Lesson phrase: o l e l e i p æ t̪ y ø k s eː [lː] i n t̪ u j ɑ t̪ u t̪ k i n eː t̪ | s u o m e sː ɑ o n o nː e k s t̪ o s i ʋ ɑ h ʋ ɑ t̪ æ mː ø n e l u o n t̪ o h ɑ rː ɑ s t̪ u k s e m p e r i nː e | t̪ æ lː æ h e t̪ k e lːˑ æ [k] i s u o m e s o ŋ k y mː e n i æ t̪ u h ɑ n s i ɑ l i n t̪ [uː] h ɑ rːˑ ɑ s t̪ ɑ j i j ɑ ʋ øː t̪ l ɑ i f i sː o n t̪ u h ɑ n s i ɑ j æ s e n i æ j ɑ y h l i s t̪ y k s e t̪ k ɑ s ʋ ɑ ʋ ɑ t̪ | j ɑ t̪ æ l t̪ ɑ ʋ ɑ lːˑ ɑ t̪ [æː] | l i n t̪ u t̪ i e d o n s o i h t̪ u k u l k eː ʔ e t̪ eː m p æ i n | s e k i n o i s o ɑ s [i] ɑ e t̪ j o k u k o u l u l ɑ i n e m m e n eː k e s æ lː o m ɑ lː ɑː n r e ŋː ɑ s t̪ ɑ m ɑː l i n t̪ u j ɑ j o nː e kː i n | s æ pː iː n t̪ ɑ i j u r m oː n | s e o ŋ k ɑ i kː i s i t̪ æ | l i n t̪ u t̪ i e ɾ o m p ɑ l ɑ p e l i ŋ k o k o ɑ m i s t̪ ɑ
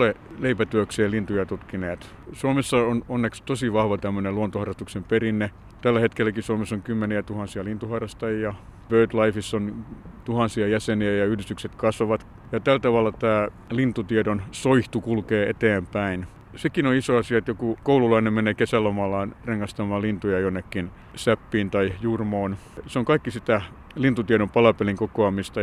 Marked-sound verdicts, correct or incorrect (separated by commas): incorrect, correct, incorrect, correct, correct